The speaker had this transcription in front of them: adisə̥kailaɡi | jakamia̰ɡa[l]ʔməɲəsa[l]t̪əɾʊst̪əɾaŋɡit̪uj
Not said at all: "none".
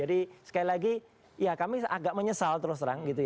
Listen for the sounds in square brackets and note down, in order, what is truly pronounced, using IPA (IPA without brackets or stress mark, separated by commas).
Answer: none, l